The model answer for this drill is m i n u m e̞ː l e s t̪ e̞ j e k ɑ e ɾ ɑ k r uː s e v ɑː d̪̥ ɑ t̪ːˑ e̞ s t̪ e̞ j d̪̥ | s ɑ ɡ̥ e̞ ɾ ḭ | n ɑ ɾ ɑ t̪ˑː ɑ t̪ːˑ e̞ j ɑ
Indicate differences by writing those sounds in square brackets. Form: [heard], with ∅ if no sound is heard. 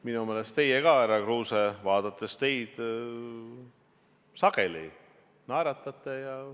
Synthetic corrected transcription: m i n u m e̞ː l e s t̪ e̞ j e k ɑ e ɾ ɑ k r uː s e v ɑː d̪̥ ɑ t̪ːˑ e̞ s t̪ e̞ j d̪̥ | s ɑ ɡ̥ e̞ [l] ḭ | n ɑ ɾ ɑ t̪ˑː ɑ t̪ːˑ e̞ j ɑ

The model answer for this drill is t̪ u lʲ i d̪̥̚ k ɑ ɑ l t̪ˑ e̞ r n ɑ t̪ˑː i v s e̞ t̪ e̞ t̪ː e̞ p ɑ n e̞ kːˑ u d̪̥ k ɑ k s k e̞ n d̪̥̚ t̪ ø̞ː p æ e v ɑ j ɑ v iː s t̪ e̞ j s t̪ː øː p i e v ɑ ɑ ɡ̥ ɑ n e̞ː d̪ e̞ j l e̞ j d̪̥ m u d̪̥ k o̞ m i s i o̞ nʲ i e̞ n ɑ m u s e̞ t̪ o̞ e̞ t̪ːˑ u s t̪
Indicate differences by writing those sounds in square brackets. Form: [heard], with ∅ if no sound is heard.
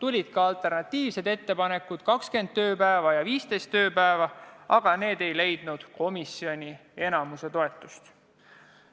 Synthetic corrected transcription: t̪ u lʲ i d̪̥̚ k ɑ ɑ l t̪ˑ e̞ r n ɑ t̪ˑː [iː] v s e̞ [d̪] e̞ t̪ː e̞ p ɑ n e̞ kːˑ u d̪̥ k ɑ k s k e̞ n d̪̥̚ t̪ ø̞ː p æ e v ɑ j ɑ v iː s t̪ e̞ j s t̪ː øː p [æ] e v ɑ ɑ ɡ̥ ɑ n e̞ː d̪ e̞ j l e̞ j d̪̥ [n] u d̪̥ k o̞ m i s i o̞ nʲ i e̞ n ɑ m u s e̞ t̪ o̞ e̞ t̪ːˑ u s t̪

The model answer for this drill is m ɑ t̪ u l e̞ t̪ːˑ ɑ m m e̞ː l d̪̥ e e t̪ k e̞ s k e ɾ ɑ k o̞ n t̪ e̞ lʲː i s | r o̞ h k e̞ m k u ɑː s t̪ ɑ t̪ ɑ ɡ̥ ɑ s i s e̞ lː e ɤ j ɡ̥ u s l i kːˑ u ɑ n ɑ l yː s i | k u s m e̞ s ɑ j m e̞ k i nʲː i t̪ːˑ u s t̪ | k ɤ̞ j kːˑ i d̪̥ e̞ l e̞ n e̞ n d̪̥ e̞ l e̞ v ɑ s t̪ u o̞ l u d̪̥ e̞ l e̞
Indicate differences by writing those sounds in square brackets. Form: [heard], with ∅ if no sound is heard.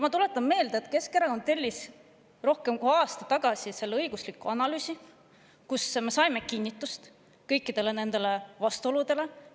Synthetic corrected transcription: m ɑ t̪ u l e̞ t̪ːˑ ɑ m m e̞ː l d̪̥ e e t̪ k e̞ s k e ɾ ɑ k o̞ n t̪ e̞ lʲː i s | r o̞ h k e̞ m k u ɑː s t̪ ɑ t̪ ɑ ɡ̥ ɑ s i s e̞ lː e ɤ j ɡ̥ u s l i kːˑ u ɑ n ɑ l yː s i | k u s m e̞ s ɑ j m e̞ k i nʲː i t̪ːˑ u s t̪ | k ɤ̞ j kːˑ i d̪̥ e̞ l e̞ n e̞ n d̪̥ e̞ l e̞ v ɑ s t̪ u o̞ l u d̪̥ e̞ l e̞

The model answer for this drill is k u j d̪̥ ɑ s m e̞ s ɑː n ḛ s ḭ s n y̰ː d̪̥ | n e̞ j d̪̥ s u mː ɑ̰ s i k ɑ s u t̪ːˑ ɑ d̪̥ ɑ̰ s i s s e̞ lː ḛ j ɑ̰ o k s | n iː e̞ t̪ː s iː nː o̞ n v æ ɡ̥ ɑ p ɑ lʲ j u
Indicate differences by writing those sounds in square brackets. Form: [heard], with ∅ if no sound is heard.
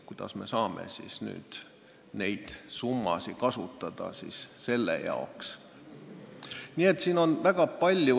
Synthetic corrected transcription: k u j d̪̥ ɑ s m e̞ s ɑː [m] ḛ s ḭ s n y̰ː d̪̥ | n e̞ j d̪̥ s u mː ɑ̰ s i k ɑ s u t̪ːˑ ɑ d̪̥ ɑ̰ s i s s e̞ lː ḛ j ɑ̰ o k s | n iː e̞ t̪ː s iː [n] o̞ n v æ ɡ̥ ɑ p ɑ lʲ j u

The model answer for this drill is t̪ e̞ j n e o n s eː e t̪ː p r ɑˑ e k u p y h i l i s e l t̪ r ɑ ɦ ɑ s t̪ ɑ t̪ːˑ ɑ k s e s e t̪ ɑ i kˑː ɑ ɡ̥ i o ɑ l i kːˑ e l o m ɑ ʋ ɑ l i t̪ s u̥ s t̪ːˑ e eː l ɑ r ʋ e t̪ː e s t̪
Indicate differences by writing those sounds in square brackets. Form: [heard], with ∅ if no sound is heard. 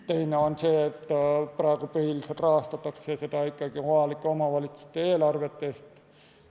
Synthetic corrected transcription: t̪ e̞ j n e o n s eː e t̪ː p r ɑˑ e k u p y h i l i s e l t̪ r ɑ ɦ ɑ s t̪ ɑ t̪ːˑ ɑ k s e s e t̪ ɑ i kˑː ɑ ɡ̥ i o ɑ l i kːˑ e [∅] o m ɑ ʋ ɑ l i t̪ s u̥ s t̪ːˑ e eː l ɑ r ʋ e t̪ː e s t̪

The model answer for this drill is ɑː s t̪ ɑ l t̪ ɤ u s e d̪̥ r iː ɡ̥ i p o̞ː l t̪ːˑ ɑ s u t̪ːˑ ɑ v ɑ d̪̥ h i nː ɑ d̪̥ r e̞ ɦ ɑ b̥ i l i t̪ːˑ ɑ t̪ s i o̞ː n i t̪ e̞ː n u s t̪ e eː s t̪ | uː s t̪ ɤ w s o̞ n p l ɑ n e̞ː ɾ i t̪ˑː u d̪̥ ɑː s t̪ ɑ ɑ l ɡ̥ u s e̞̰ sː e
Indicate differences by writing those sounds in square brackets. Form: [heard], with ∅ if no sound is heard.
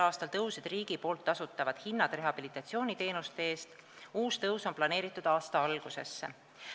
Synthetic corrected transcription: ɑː s t̪ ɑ l t̪ ɤ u s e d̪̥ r iː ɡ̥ i p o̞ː l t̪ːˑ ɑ s u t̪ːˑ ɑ v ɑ d̪̥ h i nː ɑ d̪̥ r e̞ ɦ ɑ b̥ i l i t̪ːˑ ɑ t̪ s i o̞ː n i t̪ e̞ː n u s t̪ e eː s t̪ | uː s t̪ ɤ w s o̞ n p l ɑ n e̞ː ɾ i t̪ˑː u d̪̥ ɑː s t̪ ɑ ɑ l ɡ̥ u s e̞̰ sː e

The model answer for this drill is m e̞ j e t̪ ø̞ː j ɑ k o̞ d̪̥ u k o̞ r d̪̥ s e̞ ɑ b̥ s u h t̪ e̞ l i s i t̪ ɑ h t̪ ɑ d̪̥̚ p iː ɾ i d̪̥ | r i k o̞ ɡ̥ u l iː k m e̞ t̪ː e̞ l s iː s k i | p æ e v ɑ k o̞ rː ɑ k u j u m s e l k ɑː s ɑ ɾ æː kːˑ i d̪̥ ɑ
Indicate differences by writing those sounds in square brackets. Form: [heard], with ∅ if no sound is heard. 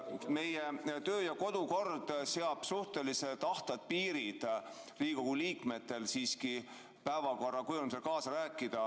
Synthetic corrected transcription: m e̞ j e t̪ ø̞ː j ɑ k o̞ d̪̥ u k o̞ r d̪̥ s e̞ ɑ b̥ s u h t̪ e̞ l i s [e] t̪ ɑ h t̪ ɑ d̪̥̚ p iː ɾ i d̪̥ | r [iː] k o̞ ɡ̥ u l iː k m e̞ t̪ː e̞ l s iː s k i | p æ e v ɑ k o̞ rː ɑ k u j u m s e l k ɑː s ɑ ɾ æː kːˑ i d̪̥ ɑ

